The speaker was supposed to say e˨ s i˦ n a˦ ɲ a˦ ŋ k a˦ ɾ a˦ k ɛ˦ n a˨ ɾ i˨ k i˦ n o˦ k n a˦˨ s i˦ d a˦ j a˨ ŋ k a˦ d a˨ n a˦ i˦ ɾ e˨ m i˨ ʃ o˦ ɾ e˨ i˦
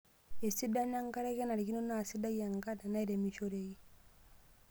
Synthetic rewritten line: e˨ s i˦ d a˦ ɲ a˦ ŋ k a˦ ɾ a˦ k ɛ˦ n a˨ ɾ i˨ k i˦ n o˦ n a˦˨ s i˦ d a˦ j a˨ ŋ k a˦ d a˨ n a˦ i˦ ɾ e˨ m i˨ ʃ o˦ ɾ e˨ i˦